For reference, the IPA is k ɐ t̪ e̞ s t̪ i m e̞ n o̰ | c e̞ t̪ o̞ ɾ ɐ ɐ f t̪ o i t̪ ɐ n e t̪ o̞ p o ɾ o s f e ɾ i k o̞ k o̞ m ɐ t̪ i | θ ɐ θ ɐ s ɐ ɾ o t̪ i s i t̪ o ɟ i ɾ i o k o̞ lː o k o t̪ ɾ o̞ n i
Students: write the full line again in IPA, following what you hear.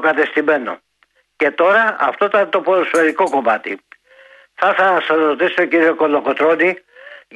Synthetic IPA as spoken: k ɐ t̪ e̞ s t̪ i m e̞ n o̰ | c e̞ t̪ o̞ ɾ ɐ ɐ f t̪ o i t̪ ɐ n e t̪ o̞ p o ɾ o s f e ɾ i k o̞ k o̞ m ɐ t̪ i | θ ɐ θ ɐ s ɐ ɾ o t̪ i s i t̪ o c i ɾ i o k o̞ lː o k o t̪ ɾ o̞ n i